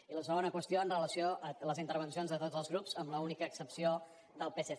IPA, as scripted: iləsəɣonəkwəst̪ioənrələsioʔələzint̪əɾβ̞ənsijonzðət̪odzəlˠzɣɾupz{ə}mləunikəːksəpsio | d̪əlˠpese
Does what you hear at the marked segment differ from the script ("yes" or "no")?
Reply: no